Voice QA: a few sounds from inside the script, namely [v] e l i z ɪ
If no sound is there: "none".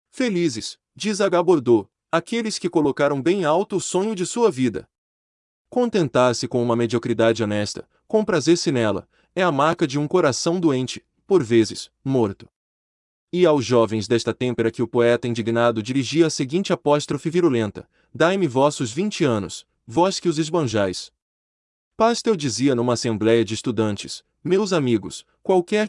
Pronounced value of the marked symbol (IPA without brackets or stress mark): f